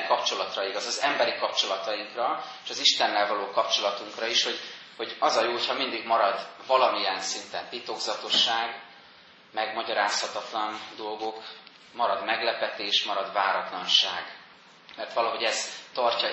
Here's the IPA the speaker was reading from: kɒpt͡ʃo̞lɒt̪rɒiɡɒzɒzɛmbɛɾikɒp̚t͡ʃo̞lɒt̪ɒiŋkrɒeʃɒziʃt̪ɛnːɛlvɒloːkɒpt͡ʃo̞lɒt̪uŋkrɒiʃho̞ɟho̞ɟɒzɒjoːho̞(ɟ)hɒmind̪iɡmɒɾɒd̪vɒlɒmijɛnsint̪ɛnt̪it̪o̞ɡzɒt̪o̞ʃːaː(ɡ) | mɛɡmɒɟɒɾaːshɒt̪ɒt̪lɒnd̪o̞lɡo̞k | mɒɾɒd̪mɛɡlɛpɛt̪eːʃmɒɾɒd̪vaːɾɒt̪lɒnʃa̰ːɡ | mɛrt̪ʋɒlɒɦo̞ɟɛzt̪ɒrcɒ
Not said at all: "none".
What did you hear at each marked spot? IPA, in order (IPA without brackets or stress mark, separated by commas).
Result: c, ɡ